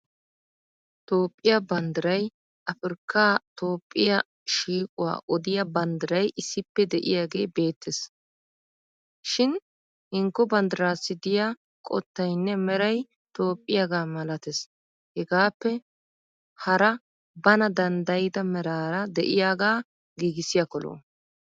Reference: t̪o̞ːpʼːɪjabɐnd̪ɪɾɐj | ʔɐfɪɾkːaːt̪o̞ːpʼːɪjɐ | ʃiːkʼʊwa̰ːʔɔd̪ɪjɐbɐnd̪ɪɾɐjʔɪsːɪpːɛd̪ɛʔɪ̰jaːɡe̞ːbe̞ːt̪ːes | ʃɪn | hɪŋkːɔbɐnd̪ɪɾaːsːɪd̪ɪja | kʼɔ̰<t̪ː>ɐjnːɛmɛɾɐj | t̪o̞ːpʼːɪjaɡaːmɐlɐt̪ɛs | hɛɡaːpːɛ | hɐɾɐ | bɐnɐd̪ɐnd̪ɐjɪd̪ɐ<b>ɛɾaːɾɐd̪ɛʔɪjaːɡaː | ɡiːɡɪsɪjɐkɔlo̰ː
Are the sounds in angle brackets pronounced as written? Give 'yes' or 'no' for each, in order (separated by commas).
yes, no